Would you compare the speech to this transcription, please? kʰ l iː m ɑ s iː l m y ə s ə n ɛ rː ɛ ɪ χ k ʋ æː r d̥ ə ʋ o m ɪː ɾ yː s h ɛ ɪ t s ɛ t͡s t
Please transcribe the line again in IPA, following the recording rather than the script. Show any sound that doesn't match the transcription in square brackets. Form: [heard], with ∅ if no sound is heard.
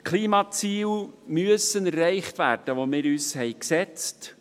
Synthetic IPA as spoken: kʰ l iː m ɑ [t͡s] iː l m y ə s ə n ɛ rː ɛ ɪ χ [t] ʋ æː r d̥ ə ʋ o m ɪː ɾ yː s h ɛ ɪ [k] s ɛ t͡s t